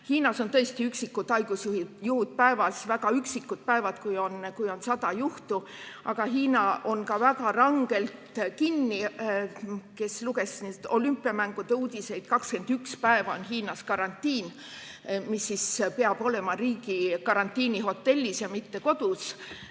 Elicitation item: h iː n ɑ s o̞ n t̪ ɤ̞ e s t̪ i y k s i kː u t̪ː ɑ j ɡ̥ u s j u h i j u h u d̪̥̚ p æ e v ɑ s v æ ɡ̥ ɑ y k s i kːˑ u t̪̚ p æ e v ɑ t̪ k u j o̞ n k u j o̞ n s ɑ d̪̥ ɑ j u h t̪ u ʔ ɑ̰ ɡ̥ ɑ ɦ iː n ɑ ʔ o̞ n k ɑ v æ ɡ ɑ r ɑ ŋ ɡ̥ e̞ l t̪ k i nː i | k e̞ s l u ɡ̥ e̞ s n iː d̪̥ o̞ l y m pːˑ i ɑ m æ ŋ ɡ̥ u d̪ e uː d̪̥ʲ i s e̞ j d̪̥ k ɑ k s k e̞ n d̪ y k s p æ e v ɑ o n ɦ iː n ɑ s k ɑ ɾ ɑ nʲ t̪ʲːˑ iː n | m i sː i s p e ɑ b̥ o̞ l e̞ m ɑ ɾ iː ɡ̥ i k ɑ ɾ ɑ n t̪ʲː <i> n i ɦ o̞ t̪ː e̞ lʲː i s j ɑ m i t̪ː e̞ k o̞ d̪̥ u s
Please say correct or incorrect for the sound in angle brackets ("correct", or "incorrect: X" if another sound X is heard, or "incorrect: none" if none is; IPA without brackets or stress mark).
incorrect: iː